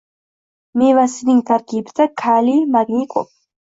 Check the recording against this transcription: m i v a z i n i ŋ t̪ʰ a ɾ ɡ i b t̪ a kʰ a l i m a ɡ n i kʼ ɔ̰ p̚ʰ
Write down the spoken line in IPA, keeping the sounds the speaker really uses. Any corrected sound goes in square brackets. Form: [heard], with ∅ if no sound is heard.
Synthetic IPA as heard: m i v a [s] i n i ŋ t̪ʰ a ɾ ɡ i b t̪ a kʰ a l i m a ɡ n i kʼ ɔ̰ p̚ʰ